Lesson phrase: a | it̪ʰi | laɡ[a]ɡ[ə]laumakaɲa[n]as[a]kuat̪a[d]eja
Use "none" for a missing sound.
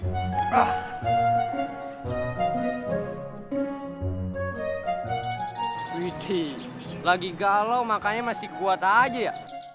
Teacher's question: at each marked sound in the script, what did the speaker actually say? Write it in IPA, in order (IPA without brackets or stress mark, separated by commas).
i, a, m, i, d͡ʒ